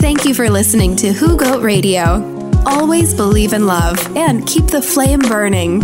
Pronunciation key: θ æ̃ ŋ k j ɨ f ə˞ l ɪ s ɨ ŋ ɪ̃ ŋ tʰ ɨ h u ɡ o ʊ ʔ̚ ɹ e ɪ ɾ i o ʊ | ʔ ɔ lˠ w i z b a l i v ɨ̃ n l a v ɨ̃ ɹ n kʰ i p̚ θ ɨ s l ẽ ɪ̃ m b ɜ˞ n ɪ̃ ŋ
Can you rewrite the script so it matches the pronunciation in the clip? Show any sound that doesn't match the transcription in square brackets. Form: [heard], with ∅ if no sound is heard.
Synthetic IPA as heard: θ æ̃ ŋ k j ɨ f ə˞ l ɪ s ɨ [n] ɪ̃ ŋ tʰ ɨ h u ɡ o ʊ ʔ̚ ɹ e ɪ ɾ i o ʊ | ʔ ɔ lˠ w i z b [ə] l i v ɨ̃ n l [ʌ] v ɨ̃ [∅] n kʰ i p̚ [ð] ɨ [f] l ẽ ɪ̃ m b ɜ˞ n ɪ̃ ŋ